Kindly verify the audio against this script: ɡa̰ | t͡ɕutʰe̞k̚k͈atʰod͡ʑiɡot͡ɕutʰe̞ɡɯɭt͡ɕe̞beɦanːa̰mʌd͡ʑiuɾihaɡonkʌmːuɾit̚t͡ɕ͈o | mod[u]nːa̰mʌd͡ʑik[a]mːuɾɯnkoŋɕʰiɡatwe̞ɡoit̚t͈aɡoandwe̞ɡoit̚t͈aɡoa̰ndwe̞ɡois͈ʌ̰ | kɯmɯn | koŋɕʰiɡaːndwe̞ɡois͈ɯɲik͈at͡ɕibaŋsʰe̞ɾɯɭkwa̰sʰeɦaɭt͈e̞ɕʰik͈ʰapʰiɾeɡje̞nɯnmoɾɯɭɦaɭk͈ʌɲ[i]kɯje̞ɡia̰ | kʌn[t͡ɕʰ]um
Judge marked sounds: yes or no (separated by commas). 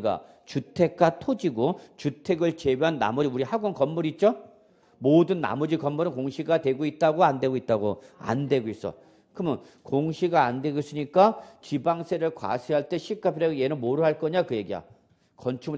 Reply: no, no, no, yes